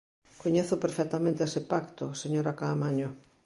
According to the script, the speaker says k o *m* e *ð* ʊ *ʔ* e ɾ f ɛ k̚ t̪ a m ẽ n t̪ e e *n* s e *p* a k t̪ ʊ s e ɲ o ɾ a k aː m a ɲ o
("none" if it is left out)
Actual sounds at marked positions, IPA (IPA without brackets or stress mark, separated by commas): ɲ, θ, p, none, p